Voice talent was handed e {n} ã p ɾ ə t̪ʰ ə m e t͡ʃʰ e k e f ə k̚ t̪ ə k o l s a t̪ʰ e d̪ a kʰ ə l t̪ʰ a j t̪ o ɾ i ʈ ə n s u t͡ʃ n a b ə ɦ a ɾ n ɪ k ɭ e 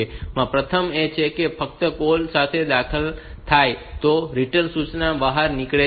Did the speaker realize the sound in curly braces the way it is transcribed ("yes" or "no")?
no